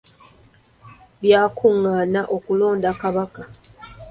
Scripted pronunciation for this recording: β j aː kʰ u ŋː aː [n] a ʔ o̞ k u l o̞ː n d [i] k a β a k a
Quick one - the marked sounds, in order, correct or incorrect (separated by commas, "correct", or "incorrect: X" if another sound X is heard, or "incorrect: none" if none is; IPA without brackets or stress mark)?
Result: correct, incorrect: a